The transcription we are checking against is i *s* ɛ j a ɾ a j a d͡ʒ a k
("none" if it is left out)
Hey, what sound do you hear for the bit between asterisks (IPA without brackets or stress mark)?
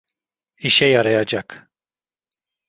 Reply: ʃ